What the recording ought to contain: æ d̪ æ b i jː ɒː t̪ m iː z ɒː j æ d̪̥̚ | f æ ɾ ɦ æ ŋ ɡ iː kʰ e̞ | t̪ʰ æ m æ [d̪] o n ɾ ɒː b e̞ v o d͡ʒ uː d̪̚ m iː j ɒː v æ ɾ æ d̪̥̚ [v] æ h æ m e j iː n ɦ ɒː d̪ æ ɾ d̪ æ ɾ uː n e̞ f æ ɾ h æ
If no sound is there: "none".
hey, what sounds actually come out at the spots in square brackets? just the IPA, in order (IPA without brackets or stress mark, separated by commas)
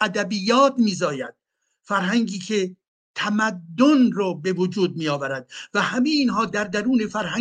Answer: d̪ː, v